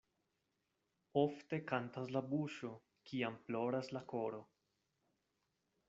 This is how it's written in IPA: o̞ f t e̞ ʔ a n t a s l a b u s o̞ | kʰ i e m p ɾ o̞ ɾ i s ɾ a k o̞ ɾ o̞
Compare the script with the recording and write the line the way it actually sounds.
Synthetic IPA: o̞ f t e̞ k a n t a s l a b u ʃ o̞ | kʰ i a m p l o̞ ɾ a s l a k o̞ ɾ o̞